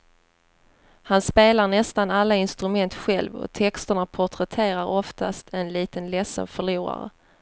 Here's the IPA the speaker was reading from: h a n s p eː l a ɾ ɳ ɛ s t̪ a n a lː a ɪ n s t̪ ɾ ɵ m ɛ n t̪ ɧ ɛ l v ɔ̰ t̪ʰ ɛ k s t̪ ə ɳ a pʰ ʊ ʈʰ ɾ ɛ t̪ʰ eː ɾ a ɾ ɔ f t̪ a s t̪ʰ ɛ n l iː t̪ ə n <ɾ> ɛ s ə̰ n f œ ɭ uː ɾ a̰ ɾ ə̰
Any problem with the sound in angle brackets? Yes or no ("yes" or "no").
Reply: yes